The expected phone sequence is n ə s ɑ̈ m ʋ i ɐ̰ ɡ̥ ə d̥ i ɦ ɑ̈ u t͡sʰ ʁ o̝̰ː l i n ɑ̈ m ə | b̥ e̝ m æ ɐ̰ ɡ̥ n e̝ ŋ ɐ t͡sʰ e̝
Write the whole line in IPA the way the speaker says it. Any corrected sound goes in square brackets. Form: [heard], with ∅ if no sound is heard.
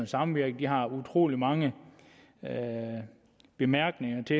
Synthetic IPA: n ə s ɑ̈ m ʋ i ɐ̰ ɡ̥ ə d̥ i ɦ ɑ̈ u t͡sʰ ʁ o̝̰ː l i [m] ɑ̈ [ŋ] ə | b̥ e̝ m æ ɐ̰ ɡ̥ n e̝ ŋ ɐ t͡sʰ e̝